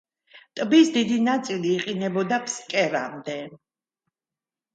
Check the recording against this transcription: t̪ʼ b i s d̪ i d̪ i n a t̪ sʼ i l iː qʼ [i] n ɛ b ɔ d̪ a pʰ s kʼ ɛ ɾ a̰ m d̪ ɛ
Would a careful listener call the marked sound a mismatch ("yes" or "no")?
no